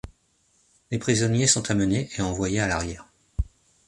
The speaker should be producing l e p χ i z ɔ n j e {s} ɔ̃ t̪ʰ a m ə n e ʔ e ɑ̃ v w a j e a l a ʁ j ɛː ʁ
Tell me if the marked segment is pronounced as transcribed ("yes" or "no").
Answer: yes